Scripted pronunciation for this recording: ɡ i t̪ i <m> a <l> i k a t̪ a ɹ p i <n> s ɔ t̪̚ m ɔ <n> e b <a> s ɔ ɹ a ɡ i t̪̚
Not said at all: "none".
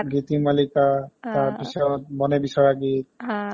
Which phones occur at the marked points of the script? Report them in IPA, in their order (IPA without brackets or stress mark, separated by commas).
m, l, none, n, i